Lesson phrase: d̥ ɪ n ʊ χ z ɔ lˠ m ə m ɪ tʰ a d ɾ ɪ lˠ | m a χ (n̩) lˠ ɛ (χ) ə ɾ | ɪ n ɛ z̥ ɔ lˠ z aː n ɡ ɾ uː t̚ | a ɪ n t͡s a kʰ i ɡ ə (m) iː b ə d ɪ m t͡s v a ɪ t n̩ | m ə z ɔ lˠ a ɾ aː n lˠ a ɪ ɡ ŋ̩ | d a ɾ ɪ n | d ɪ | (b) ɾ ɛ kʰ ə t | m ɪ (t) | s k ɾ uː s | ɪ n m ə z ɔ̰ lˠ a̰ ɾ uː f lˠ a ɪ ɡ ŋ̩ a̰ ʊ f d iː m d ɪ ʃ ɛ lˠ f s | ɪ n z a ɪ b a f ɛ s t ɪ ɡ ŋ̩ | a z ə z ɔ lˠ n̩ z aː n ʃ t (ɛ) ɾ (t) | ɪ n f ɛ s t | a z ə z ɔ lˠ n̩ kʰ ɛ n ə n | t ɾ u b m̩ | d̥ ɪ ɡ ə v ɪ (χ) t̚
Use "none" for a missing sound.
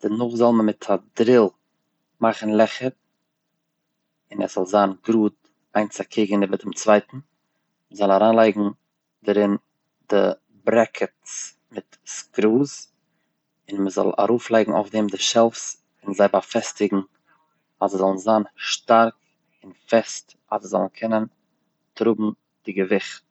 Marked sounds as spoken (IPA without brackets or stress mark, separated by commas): n̩, χ, n, b, t, a, k, χ